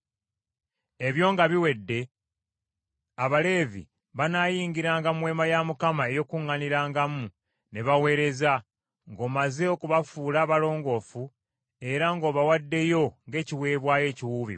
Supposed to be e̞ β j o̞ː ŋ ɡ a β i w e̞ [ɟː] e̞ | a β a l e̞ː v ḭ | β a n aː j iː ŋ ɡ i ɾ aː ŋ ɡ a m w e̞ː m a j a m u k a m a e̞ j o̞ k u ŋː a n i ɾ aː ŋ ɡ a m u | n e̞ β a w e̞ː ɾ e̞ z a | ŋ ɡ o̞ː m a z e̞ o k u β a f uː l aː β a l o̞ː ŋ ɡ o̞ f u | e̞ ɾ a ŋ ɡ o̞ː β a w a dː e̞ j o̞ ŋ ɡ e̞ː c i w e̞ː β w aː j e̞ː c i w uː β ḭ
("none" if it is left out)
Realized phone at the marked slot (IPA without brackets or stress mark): dː